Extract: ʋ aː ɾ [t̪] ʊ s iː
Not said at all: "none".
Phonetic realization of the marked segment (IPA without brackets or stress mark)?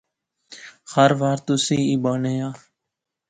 t̪